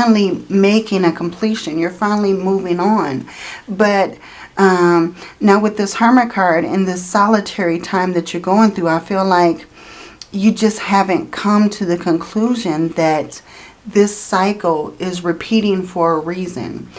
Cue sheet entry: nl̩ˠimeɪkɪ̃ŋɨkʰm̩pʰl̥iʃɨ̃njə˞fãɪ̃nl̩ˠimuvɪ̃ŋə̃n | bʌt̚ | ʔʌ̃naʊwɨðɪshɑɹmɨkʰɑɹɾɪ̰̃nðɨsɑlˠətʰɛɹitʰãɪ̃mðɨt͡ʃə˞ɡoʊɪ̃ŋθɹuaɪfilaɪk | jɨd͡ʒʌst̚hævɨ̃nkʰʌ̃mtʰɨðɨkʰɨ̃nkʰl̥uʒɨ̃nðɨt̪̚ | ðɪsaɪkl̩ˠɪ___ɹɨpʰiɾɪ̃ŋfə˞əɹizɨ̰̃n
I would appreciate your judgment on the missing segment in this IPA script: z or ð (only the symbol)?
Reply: z